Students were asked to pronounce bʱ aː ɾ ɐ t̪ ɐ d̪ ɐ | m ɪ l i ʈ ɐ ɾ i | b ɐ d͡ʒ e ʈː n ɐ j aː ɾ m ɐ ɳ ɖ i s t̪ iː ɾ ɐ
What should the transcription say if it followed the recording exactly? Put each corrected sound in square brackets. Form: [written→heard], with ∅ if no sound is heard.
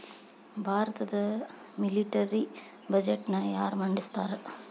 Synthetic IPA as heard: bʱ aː ɾ ɐ t̪ ɐ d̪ ɐ | m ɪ l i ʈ ɐ ɾ i | b ɐ d͡ʒ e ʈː n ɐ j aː ɾ m ɐ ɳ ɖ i s t̪ [iː→aː] ɾ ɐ